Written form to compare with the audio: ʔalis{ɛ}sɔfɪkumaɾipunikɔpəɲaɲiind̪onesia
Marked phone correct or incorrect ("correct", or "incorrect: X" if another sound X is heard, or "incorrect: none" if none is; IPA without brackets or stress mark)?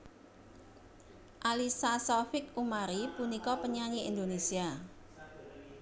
incorrect: a